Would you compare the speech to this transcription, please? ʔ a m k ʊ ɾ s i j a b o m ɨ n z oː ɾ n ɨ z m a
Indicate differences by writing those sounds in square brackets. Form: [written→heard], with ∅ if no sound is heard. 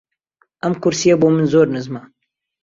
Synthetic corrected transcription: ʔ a m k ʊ ɾ s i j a b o m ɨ n z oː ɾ n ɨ z m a